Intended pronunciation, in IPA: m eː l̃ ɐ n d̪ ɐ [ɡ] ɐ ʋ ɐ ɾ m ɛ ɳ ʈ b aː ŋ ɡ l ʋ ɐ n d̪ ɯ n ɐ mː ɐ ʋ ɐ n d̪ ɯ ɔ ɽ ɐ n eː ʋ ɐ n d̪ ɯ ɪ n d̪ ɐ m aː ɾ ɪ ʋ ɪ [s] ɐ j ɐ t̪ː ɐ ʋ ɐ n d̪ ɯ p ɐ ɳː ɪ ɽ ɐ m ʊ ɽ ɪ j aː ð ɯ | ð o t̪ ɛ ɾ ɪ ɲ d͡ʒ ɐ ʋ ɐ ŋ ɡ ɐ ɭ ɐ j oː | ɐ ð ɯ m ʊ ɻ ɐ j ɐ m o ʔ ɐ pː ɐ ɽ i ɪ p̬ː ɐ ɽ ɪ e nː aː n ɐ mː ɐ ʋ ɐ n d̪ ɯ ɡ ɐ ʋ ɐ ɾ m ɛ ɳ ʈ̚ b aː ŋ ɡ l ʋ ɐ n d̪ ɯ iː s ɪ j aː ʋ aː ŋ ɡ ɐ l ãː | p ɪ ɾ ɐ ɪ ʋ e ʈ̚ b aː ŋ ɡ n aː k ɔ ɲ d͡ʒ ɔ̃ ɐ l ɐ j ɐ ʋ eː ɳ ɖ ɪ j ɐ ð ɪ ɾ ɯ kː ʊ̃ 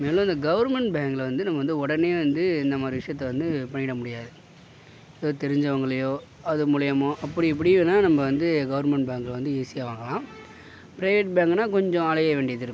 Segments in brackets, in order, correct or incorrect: correct, incorrect: ʂ

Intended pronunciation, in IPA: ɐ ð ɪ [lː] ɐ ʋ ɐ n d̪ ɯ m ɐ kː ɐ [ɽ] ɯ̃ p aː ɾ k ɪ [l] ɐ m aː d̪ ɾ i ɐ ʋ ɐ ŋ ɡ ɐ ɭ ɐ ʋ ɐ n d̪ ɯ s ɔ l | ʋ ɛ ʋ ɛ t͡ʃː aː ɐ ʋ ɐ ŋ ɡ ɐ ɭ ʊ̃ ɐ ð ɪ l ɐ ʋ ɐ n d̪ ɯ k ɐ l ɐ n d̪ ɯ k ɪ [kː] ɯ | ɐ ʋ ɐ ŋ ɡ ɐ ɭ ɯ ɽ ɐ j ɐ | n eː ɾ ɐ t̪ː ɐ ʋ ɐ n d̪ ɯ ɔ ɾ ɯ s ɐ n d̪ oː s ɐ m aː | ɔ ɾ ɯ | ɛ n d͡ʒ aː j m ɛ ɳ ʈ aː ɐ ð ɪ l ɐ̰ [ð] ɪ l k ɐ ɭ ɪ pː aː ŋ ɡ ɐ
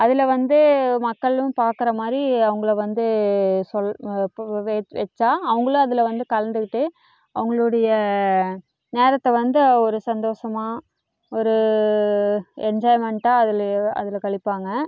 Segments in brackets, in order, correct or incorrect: incorrect: l, incorrect: ɭ, incorrect: ɾ, incorrect: ʈː, correct

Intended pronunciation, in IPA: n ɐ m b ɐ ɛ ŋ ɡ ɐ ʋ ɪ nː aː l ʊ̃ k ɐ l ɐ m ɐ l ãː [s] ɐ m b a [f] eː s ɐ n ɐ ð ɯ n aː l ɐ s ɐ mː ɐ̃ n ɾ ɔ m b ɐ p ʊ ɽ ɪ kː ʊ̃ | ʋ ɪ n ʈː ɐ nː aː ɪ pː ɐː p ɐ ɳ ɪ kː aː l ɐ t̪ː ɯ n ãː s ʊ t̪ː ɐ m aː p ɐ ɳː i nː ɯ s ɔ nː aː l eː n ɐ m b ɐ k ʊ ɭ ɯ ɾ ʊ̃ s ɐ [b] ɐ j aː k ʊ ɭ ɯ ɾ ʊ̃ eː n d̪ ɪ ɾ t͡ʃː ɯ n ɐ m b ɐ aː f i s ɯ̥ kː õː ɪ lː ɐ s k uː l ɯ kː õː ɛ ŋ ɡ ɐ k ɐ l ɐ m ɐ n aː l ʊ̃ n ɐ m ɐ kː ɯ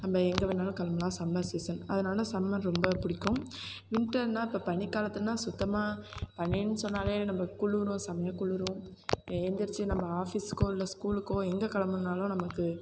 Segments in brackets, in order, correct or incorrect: correct, incorrect: s, incorrect: m

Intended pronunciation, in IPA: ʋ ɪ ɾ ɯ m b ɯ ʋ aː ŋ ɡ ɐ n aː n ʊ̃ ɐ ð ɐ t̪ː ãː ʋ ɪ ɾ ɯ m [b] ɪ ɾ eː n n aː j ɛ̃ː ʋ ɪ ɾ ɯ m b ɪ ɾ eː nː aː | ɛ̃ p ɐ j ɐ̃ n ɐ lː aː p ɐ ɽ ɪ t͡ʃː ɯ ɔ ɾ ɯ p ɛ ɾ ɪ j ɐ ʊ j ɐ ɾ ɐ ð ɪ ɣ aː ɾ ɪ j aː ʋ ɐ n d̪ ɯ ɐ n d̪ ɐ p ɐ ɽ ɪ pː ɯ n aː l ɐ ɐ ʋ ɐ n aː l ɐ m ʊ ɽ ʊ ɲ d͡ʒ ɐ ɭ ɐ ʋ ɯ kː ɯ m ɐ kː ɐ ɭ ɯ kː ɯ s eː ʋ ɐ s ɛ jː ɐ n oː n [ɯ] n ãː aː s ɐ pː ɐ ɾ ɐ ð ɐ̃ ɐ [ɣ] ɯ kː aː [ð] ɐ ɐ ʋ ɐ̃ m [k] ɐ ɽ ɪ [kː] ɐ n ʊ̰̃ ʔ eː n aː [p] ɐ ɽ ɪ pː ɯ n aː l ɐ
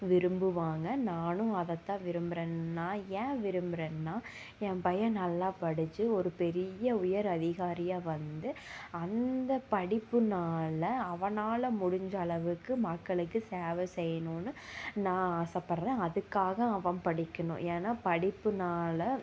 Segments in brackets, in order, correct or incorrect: correct, correct, incorrect: ð, incorrect: ɣ, incorrect: p, correct, correct

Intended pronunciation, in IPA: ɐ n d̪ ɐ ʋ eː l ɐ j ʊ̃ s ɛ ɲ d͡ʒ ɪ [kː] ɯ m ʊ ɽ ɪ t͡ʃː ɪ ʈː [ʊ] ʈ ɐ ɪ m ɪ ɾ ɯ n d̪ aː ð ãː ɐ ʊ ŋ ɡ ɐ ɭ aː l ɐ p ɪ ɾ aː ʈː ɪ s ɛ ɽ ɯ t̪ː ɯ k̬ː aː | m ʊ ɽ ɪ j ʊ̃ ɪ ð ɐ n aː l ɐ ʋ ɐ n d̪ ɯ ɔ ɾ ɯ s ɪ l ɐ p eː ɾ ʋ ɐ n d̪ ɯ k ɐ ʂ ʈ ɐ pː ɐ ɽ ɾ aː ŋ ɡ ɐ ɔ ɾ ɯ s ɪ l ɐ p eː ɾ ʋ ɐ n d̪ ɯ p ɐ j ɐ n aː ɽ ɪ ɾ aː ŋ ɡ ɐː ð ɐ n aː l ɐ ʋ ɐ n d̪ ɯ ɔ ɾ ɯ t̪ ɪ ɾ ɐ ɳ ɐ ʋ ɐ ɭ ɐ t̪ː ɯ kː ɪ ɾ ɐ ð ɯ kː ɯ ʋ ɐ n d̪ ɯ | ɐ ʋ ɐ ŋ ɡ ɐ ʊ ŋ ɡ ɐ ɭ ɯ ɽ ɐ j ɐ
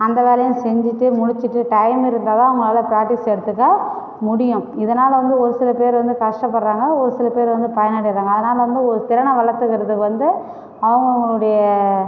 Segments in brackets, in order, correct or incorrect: incorrect: ʈː, incorrect: ɯ

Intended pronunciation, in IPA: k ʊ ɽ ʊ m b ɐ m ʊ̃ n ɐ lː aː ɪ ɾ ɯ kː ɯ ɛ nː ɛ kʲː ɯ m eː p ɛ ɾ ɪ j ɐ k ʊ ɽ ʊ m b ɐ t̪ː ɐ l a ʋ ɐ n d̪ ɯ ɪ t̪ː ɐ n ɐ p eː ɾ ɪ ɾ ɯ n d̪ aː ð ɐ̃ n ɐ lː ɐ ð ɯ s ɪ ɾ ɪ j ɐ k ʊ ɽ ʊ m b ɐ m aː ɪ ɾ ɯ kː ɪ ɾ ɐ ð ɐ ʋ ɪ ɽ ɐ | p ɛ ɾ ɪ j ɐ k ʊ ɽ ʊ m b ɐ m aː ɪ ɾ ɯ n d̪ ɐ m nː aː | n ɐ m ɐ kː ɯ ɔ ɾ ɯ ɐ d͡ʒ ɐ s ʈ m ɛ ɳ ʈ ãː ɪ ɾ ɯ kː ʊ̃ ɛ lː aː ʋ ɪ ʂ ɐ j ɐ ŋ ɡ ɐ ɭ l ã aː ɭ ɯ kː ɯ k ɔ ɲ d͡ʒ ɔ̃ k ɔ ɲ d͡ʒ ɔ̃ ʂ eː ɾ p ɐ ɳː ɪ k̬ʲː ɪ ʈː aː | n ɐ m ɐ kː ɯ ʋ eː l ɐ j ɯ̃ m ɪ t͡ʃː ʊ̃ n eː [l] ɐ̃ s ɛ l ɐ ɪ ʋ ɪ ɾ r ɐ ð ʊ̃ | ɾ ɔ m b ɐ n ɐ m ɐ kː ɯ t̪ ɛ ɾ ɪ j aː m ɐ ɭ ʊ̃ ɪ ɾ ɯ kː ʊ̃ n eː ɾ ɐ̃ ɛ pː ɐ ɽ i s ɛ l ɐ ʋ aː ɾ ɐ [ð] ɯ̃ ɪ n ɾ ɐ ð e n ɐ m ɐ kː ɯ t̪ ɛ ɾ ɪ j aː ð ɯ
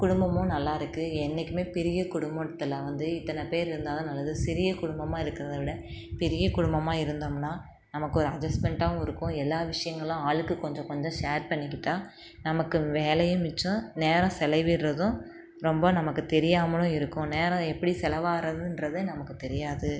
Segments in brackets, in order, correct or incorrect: incorrect: ɾ, correct

